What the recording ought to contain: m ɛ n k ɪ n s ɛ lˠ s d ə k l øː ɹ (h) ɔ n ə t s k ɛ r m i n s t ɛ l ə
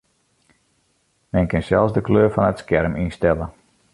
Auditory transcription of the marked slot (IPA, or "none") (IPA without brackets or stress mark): f